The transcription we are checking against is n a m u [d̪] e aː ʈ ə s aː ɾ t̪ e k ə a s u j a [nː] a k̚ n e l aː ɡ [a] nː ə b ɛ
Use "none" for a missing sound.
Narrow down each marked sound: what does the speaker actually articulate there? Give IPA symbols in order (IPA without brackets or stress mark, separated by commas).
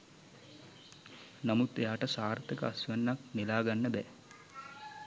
t̪, nː, a